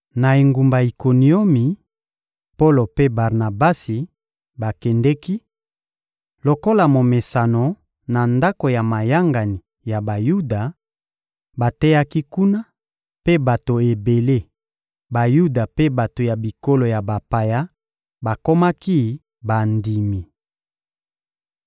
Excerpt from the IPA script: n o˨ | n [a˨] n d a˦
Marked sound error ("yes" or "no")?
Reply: no